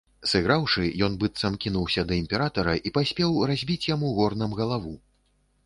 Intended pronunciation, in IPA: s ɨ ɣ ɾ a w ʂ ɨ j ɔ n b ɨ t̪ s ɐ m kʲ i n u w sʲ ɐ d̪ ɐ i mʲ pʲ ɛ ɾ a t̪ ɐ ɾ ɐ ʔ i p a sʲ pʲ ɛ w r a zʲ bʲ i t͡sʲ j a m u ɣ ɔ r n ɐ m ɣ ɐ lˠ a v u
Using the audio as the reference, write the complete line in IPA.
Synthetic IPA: s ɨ ɣ ɾ a w ʂ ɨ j ɔ n b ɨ t̪ s ɐ m kʲ i n u w sʲ ɐ d̪ ɐ i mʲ pʲ ɛ ɾ a t̪ ɐ ɾ ɐ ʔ i p a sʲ pʲ ɛ w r a zʲ bʲ i t͡sʲ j a m u ɣ ɔ r n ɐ m ɣ ɐ lˠ a v u